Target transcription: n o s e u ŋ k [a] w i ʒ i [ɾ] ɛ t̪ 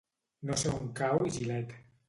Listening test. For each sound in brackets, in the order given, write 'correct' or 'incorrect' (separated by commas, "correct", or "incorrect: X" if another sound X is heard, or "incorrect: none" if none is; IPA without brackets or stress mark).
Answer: correct, incorrect: l